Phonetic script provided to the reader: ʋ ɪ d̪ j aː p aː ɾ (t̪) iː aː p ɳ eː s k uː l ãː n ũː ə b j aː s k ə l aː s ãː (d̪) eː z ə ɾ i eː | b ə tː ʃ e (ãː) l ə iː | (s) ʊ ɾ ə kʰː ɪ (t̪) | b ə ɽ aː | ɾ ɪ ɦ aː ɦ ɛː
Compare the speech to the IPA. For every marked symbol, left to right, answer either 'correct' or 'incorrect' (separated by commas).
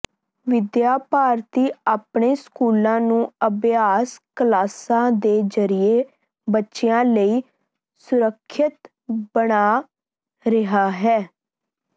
correct, correct, correct, correct, correct